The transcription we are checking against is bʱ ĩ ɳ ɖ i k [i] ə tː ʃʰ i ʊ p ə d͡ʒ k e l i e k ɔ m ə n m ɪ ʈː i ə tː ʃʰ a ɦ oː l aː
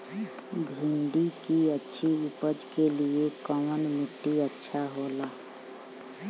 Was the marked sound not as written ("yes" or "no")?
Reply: no